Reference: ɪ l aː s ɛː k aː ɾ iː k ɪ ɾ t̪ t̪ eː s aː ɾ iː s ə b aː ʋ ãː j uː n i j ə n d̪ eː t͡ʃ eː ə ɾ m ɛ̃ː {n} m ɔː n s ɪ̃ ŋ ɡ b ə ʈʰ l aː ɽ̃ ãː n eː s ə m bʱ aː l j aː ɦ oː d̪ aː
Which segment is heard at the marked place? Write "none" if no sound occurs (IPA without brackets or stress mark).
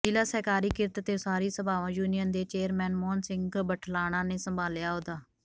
n